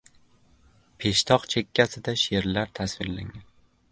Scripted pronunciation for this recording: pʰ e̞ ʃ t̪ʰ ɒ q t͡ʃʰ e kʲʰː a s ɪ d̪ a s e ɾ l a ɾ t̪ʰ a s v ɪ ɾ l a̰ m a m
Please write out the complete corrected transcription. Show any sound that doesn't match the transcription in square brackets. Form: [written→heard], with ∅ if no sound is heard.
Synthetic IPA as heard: pʰ e̞ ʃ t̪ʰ ɒ q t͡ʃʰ e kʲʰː a s ɪ d̪ a [s→ʃ] e ɾ l a ɾ t̪ʰ a s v ɪ ɾ l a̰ [m→ŋ] a [m→n]